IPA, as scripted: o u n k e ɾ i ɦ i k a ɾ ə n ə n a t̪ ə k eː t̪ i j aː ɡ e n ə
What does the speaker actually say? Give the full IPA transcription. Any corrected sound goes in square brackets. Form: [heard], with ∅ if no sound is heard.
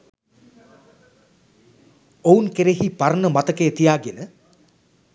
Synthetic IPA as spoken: o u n k e ɾ [e] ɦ i [p] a ɾ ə n ə [m] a t̪ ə k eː t̪ i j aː ɡ e n ə